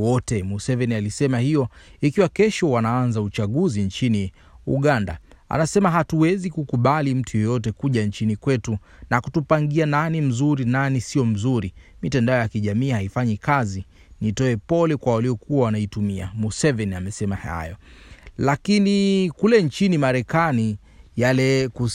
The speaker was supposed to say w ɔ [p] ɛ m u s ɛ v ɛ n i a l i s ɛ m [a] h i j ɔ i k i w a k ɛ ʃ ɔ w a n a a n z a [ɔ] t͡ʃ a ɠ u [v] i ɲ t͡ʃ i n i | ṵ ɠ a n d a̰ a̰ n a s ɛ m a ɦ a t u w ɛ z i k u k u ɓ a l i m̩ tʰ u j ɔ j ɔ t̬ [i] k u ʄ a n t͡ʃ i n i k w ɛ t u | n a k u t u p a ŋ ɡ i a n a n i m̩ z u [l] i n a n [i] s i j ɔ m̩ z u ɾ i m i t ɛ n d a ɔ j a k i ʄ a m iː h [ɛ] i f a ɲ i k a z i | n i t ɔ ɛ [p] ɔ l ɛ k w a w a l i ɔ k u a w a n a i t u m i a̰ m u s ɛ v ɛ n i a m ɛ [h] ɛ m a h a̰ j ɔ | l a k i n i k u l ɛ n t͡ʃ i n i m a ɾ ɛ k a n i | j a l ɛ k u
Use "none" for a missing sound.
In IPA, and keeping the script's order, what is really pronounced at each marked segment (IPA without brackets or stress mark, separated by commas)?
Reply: t, a, u, z, ɛ, ɾ, i, a, p, s